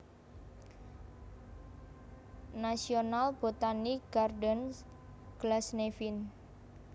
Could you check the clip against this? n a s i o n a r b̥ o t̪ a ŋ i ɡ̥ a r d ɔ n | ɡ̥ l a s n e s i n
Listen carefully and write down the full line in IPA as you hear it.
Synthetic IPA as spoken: n a s i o n a l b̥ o t̪ a n i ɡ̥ a r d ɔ n | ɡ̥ l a s n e f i n